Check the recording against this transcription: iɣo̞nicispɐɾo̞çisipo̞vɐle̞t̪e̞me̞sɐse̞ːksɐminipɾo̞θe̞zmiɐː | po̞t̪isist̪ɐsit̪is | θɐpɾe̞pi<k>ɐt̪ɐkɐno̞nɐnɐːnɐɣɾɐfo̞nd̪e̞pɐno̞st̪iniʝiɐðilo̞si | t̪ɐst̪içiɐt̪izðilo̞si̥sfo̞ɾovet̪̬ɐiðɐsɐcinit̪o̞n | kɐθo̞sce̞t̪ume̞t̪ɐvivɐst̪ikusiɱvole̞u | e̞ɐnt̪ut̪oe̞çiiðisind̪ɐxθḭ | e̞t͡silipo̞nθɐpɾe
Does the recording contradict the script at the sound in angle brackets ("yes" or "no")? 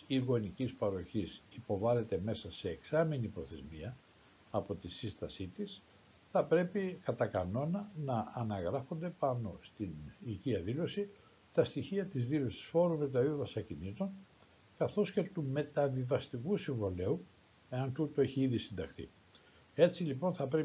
no